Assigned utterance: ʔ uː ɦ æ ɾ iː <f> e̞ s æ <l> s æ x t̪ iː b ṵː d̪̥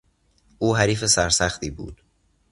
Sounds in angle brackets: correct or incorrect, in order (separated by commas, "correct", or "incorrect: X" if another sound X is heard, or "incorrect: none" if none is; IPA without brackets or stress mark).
correct, incorrect: ɾ